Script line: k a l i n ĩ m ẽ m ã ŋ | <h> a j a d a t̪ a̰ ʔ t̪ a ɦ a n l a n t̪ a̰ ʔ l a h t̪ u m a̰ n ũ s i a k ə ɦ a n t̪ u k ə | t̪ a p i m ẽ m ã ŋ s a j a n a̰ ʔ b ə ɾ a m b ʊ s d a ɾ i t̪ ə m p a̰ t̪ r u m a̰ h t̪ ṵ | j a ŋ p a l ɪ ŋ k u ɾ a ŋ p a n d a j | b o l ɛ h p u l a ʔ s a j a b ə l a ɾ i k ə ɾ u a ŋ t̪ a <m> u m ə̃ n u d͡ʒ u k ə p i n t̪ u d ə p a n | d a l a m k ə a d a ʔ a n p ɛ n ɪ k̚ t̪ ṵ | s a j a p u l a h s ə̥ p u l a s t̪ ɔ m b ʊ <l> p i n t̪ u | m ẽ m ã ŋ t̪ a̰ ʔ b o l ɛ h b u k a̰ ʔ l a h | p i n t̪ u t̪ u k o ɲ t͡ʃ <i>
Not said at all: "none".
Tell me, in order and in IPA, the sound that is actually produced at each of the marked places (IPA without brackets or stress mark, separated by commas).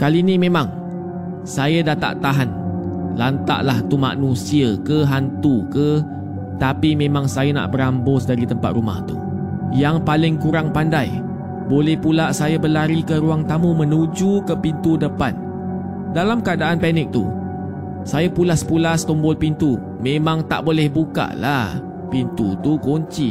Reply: s, m, l, i